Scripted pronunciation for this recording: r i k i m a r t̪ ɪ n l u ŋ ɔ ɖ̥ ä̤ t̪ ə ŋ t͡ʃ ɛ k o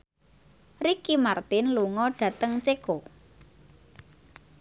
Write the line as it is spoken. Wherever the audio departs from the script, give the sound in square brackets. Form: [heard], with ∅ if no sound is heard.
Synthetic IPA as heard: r i k i m a r t̪ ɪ n l u ŋ ɔ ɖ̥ ä̤ t̪ ə ŋ t͡ʃ [e] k o